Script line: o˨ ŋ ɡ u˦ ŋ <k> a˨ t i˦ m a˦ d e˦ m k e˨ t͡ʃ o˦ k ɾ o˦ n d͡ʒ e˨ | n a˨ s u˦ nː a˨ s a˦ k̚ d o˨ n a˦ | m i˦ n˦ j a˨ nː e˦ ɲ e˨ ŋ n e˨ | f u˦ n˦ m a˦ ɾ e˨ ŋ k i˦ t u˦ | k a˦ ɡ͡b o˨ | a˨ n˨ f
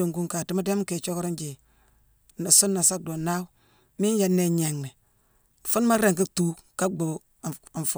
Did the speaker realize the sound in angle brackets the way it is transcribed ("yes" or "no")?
yes